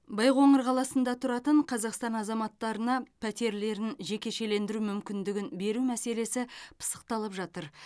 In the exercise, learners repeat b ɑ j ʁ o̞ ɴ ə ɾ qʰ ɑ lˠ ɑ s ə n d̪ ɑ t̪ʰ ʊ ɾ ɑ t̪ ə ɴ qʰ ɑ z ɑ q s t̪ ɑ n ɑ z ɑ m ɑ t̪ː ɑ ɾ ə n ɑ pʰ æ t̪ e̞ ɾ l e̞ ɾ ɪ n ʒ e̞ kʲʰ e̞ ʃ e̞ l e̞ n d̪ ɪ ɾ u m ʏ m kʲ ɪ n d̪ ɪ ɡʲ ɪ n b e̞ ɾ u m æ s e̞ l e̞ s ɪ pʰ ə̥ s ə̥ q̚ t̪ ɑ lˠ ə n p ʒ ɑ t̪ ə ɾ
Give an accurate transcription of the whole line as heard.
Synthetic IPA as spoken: b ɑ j ʁ o̞ ɴ ə ɾ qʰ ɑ lˠ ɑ s ə n d̪ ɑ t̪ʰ ʊ ɾ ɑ t̪ ə ɴ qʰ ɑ z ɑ q s t̪ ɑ n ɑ z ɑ m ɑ t̪ː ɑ ɾ ə n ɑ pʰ æ t̪ e̞ ɾ l e̞ ɾ ɪ n ʒ e̞ kʲ e̞ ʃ e̞ l e̞ n d̪ ɪ ɾ u m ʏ m kʲ ɪ n d̪ ɪ ɡʲ ɪ n b e̞ ɾ u m æ s e̞ l e̞ s ɪ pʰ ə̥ s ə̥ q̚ t̪ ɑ lˠ ə p ʒ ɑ t̪ ə ɾ